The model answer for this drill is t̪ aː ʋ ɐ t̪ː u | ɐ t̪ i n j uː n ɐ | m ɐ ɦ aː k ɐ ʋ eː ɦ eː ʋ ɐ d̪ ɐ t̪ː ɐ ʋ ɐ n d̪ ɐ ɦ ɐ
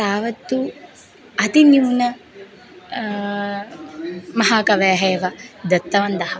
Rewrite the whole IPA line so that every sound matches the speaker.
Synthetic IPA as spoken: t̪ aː ʋ ɐ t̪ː u | ɐ t̪ i n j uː n ɐ | m ɐ ɦ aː k ɐ ʋ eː ɦ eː ʋ ɐ d̪ ɐ t̪ː ɐ ʋ ɐ n d̪ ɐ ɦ ɐ